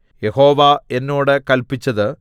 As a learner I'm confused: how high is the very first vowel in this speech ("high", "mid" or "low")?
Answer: mid